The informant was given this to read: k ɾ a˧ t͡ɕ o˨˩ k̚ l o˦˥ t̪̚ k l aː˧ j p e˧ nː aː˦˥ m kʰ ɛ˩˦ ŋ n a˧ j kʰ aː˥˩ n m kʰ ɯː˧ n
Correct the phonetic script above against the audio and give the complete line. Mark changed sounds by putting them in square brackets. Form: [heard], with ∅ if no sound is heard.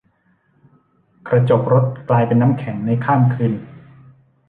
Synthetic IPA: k ɾ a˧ t͡ɕ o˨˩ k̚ [ɾ] o˦˥ t̪̚ k l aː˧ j p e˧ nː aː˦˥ m kʰ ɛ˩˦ ŋ n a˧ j kʰ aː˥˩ [∅] m kʰ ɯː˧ n